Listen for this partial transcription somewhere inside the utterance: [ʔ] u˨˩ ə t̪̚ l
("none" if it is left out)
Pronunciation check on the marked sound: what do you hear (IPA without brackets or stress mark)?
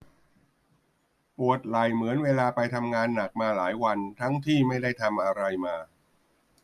p